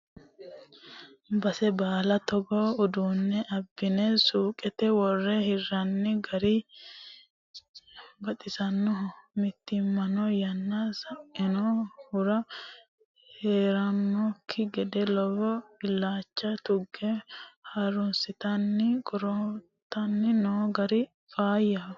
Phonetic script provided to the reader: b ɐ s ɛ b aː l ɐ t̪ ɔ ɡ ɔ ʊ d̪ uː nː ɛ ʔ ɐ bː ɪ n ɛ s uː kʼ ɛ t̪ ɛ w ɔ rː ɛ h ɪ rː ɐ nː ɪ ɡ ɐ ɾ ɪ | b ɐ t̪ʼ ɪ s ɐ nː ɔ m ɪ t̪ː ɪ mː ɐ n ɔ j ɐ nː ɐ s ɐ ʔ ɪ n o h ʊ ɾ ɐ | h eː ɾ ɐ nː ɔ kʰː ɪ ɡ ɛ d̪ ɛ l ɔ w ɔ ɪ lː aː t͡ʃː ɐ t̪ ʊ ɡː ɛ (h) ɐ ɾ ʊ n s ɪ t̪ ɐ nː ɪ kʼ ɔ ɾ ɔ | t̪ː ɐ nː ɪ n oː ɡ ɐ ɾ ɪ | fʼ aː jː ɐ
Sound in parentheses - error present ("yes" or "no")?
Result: no